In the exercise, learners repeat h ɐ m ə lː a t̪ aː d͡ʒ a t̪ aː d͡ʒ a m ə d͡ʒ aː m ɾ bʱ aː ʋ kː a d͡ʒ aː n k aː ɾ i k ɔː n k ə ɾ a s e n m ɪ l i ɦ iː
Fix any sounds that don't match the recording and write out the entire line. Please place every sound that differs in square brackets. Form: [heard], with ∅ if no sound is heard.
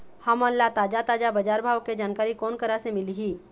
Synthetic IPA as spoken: h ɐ m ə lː a t̪ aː d͡ʒ a t̪ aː d͡ʒ a [b] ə d͡ʒ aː [∅] ɾ bʱ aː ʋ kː [e] d͡ʒ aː n k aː ɾ i k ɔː n k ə ɾ a s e [∅] m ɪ l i ɦ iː